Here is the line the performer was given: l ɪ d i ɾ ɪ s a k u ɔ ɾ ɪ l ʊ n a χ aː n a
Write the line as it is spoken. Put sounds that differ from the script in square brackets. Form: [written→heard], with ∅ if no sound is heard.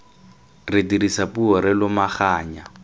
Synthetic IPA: [l→r] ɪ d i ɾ [ɪ→i] s a [k→p] u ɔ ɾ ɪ l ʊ [n→m] a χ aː [n→ɲ] a

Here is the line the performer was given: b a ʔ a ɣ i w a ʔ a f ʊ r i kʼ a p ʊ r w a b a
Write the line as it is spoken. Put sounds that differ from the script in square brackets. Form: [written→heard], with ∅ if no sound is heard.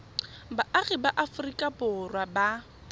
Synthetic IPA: b a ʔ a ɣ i [w→b] a ʔ a f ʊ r i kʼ a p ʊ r w a b a

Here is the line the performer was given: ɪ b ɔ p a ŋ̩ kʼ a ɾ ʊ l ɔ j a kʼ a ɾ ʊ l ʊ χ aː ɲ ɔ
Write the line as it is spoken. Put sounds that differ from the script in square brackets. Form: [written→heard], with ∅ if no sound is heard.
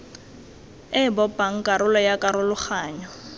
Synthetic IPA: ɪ b ɔ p a ŋ̩ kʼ a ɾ ʊ l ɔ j a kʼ a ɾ ʊ l ʊ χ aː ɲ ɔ

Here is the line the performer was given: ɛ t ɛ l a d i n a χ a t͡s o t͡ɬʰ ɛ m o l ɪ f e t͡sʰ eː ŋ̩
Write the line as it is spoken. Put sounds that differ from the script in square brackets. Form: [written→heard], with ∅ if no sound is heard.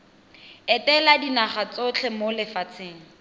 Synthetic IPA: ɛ t ɛ l a d i n a χ a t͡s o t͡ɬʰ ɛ m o l ɪ f [e→a] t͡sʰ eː ŋ̩

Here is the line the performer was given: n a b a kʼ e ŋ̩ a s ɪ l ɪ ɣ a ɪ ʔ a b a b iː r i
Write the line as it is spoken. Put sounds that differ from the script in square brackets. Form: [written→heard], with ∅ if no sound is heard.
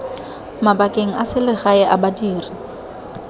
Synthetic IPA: [n→m] a b a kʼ e ŋ̩ a s ɪ l ɪ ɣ a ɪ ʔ a b a [b→d] iː r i

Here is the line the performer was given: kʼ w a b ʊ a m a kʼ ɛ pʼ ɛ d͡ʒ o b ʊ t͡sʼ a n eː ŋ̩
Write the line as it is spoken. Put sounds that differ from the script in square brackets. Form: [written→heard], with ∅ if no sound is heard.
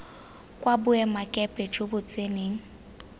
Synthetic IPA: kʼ w a b ʊ [a→ɛ] m a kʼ ɛ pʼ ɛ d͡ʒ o b ʊ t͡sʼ [a→e] n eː ŋ̩

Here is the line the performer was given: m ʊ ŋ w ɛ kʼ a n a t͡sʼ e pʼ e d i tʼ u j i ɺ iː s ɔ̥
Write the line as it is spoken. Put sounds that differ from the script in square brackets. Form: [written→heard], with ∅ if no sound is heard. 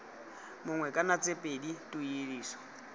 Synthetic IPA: m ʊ ŋ w ɛ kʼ a n a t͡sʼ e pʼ e d i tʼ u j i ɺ iː s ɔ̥

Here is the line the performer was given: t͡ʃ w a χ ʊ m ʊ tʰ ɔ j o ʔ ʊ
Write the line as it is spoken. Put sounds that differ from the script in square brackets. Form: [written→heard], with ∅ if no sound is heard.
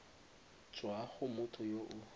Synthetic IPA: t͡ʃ w a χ ʊ m ʊ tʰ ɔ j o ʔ ʊ

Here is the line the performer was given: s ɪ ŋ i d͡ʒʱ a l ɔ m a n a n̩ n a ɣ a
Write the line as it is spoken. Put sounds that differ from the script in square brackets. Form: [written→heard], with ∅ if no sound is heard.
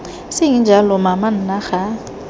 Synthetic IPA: s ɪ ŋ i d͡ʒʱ a l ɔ m a [n→m] a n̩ n a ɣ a

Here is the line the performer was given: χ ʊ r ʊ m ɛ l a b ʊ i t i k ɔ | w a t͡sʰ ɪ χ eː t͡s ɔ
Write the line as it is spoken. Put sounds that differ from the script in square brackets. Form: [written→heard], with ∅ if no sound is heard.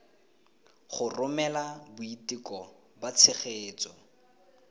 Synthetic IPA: χ ʊ r ʊ m ɛ l a b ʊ i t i k ɔ | [w→b] a t͡sʰ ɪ χ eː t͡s ɔ

